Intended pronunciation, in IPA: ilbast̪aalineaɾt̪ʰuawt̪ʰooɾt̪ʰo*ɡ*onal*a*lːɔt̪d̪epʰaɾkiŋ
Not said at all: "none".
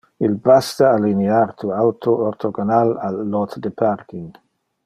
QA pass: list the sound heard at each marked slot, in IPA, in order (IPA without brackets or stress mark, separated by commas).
ɡ, a